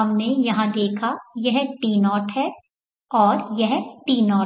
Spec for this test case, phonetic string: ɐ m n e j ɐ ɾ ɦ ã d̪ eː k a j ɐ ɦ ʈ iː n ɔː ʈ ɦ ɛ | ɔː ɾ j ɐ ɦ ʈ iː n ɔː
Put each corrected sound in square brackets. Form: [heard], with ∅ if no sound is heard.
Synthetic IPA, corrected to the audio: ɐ m n e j ɐ [∅] ɦ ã d̪ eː [kʰ] a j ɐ ɦ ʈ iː n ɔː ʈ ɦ ɛ | ɔː ɾ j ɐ ɦ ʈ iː n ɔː